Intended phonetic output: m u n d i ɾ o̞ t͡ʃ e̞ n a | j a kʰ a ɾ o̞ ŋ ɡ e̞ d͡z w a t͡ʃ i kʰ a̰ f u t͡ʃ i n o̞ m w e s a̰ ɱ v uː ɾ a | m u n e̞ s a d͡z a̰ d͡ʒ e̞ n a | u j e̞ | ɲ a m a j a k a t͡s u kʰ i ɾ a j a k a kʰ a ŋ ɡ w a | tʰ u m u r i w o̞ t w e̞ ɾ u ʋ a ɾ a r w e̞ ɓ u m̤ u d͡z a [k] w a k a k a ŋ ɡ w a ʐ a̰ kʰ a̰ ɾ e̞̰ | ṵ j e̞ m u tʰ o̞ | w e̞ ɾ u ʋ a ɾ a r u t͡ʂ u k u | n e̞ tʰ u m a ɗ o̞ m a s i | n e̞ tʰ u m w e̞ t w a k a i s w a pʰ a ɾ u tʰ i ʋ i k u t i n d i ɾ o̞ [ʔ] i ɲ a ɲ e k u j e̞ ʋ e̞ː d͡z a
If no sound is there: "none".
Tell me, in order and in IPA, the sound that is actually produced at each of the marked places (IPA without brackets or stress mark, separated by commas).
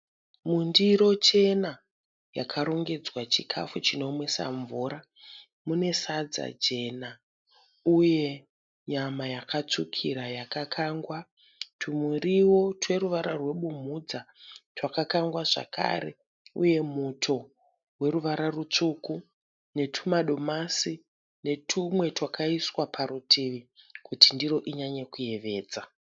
t, ʔ